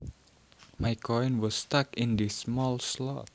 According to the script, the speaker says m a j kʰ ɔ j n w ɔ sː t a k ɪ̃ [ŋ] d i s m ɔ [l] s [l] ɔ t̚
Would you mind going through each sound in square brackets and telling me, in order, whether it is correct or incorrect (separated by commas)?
incorrect, correct, correct